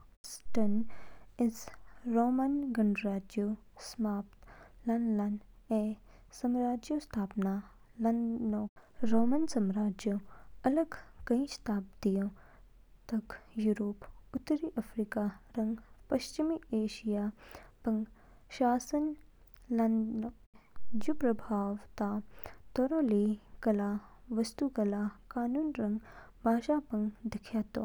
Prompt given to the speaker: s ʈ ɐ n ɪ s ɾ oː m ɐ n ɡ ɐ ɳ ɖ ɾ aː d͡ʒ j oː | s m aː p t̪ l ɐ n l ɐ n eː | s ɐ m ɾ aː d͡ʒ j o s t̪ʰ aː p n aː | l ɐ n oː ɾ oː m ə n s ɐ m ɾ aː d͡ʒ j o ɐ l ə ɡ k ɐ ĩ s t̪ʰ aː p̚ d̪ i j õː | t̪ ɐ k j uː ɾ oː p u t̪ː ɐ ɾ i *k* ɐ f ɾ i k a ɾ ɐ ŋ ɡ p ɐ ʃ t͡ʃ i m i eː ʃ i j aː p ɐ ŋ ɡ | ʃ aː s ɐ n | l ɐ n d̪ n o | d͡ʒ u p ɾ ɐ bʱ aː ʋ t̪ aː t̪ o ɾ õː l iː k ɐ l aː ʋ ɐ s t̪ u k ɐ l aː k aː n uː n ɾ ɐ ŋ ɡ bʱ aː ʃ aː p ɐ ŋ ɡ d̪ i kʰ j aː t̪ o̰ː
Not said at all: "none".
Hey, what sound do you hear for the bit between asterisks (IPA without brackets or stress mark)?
ʔ